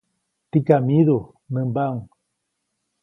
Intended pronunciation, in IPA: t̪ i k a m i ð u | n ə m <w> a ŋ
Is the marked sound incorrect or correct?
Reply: incorrect